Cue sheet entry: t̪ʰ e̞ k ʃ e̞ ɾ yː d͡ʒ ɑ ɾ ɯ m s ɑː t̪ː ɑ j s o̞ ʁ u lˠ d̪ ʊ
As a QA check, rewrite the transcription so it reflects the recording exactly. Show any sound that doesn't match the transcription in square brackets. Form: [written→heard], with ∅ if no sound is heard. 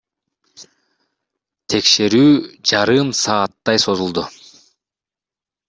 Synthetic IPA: t̪ʰ e̞ k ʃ e̞ ɾ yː d͡ʒ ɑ ɾ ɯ m s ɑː t̪ː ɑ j s o̞ [ʁ→z] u lˠ d̪ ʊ